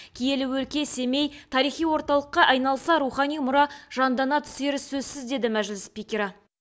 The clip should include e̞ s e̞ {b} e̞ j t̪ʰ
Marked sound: incorrect: m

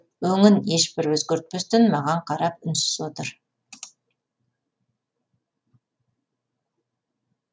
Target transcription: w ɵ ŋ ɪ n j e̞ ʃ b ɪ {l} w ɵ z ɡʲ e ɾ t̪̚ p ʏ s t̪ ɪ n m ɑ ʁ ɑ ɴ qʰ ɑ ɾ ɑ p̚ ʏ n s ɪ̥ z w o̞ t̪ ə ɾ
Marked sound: incorrect: ɾ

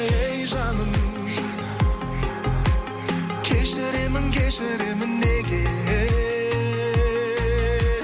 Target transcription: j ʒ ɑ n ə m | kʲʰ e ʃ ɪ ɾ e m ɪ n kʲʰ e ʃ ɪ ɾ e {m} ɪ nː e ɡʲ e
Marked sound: correct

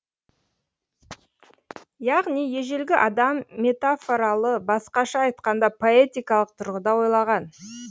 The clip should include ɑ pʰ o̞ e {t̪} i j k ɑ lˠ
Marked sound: correct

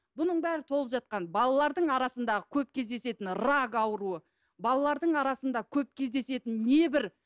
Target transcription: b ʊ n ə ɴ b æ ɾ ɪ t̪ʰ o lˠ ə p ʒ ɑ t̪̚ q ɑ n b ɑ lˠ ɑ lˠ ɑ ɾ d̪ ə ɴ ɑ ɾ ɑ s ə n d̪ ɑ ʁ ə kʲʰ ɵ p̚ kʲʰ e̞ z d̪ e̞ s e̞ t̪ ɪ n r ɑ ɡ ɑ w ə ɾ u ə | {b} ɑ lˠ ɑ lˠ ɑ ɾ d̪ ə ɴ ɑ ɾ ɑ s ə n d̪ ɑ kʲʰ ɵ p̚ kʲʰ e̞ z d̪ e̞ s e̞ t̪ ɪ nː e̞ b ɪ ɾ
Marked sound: correct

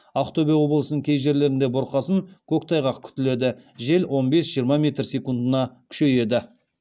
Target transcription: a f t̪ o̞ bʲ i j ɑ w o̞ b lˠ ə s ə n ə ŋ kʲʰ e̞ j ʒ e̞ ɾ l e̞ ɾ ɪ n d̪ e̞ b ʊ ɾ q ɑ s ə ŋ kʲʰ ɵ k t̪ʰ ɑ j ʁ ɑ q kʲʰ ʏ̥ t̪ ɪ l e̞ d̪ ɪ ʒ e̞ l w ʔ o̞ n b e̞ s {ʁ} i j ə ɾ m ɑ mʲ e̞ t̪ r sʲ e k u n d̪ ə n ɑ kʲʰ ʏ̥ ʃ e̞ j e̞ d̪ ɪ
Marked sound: incorrect: ʒ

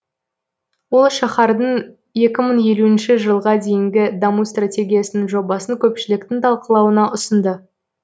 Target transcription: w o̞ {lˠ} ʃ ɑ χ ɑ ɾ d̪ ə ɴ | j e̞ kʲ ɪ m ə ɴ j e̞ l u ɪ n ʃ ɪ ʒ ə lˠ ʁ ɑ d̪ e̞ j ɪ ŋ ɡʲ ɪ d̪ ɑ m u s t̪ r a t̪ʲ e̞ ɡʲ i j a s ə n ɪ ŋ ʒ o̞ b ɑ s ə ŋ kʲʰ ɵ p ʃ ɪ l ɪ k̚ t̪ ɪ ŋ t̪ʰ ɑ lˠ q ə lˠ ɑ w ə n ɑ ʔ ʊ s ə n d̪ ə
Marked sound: correct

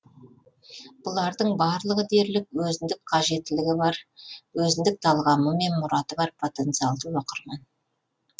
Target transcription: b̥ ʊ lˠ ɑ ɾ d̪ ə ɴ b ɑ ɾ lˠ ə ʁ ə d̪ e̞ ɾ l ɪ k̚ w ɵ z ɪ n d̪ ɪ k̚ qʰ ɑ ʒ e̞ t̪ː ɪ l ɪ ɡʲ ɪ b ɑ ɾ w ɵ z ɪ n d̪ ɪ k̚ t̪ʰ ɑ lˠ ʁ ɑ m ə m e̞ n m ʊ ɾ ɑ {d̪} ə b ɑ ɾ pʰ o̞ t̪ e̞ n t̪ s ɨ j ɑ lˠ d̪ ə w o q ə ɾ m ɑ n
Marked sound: incorrect: t̪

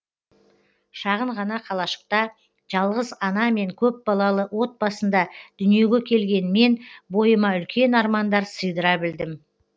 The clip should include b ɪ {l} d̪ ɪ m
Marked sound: correct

